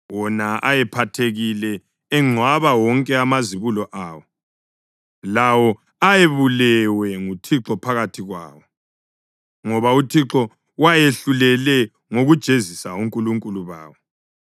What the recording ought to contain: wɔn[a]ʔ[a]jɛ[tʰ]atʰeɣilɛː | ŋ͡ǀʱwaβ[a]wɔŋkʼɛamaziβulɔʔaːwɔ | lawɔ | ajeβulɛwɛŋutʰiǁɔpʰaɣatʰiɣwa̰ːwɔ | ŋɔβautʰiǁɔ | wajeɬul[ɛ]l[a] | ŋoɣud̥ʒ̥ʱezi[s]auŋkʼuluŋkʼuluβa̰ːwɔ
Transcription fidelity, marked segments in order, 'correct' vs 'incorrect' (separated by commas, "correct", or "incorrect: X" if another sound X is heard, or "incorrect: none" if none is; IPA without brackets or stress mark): correct, correct, incorrect: pʰ, correct, correct, incorrect: ɛ, correct